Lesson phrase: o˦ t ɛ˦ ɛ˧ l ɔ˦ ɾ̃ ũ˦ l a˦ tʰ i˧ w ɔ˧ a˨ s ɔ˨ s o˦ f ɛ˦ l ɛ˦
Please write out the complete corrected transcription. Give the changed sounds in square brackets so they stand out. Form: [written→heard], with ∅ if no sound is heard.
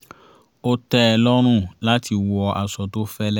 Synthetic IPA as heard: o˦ t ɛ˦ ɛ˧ l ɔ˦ ɾ̃ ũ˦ l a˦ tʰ i˧ w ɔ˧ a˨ s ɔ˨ [s→t] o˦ f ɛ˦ l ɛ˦